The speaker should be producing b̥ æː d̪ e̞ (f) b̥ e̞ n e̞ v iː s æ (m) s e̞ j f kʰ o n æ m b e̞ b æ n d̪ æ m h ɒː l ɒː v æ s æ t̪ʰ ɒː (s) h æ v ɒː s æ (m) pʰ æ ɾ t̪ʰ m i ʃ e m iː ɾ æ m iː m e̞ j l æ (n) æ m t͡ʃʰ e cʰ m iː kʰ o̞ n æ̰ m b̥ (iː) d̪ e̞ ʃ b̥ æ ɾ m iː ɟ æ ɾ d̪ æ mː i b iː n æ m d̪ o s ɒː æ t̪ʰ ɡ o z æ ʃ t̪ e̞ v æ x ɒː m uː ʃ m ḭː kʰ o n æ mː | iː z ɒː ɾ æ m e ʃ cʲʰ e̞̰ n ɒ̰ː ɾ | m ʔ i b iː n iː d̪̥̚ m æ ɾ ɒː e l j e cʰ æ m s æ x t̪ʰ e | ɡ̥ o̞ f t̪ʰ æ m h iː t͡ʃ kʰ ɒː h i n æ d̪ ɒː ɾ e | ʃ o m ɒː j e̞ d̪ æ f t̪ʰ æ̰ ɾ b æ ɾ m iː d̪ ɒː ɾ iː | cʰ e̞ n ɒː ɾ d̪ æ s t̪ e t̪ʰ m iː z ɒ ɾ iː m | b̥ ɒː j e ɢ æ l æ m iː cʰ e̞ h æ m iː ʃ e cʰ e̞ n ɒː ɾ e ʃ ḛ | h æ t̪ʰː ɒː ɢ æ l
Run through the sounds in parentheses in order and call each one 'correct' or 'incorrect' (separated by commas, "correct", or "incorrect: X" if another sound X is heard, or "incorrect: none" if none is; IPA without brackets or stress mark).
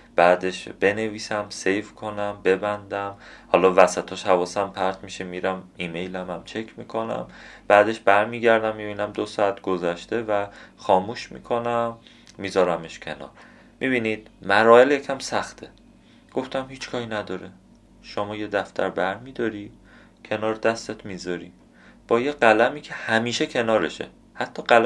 incorrect: ʃ, correct, incorrect: ʃ, correct, incorrect: m, incorrect: æː